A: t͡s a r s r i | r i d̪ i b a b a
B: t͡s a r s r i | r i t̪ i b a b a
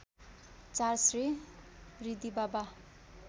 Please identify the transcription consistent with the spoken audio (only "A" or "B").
A